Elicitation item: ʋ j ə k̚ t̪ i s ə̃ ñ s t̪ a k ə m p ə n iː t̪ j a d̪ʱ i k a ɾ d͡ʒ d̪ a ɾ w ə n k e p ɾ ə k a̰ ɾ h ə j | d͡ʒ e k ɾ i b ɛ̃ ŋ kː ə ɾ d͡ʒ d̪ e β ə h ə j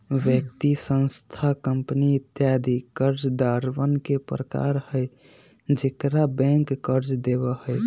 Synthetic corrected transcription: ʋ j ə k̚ t̪ i s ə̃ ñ s t̪ʰ a k ə m p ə n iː t̪ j a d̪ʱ i k ə ɾ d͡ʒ d̪ a ɾ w ə n k e p ɾ ə k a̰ ɾ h ə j | d͡ʒ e k ɾ a b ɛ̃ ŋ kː ə ɾ d͡ʒ d̪ e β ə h ə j